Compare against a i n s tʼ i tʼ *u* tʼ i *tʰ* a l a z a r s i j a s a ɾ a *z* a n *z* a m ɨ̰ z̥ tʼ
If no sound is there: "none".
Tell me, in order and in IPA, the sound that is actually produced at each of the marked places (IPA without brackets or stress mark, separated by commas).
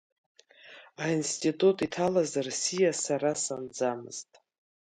u, tʰ, s, d͡z